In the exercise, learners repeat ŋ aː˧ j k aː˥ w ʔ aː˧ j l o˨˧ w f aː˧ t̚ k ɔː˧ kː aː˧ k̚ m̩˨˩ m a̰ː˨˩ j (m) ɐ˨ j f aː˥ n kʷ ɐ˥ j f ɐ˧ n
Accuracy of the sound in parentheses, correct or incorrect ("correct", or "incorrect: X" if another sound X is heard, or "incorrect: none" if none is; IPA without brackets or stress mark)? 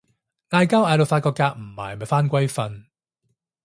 correct